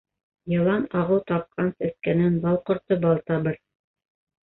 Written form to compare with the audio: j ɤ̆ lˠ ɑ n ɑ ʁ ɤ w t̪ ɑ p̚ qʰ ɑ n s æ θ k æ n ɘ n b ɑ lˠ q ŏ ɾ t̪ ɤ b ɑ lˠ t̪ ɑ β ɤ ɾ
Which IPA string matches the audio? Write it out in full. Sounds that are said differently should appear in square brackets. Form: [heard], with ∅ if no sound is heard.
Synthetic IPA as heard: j ɤ̆ lˠ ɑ n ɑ ʁ ɤ w t̪ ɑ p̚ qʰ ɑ n s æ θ k æ n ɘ n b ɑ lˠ q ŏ ɾ t̪ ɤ b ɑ lˠ t̪ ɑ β ɤ ɾ